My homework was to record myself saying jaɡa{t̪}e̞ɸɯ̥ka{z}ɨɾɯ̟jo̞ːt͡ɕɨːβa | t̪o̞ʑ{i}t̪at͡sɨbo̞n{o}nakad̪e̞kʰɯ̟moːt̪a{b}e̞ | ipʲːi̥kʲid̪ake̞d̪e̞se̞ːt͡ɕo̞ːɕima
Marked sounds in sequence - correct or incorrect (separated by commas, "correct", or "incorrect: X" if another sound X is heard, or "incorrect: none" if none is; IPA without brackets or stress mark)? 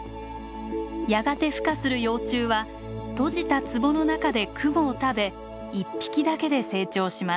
correct, incorrect: s, correct, correct, correct